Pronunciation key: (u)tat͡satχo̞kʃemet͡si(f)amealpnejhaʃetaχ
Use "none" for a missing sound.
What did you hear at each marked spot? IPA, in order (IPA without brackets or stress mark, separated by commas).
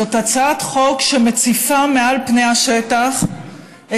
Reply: o, f